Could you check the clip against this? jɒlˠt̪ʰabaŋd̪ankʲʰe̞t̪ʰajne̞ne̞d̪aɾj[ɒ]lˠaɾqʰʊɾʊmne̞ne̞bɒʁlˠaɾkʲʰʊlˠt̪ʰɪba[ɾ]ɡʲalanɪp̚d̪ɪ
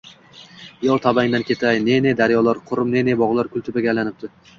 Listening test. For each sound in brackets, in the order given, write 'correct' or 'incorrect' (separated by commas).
correct, incorrect